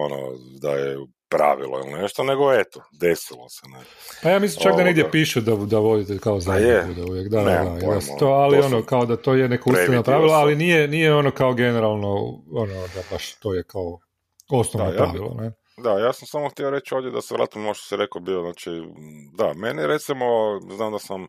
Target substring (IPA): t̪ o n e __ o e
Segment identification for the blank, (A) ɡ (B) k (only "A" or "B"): A